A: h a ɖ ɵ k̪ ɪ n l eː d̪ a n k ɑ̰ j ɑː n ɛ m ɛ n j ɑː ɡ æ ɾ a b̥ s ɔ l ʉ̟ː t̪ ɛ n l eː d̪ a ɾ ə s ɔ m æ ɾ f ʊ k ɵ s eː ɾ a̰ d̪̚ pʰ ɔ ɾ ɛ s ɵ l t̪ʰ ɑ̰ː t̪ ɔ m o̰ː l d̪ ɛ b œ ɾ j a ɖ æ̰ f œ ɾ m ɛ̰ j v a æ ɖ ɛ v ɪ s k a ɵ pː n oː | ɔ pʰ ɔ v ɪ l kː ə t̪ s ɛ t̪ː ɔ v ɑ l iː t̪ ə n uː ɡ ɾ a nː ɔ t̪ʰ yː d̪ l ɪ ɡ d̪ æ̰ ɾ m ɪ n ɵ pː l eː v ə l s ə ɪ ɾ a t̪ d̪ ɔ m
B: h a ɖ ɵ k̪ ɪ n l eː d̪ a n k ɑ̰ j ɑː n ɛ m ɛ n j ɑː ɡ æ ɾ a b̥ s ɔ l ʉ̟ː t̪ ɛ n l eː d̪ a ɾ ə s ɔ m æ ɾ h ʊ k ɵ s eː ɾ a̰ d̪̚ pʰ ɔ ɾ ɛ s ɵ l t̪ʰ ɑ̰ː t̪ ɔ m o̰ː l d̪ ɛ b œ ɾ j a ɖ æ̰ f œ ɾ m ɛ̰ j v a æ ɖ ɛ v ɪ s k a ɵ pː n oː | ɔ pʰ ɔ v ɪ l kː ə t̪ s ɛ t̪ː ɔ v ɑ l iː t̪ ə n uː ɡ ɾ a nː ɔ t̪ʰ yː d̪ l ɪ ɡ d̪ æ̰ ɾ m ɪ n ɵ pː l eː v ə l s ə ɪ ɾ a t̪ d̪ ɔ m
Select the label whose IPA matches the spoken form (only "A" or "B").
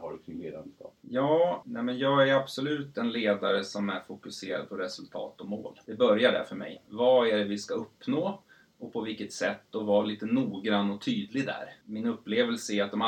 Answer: A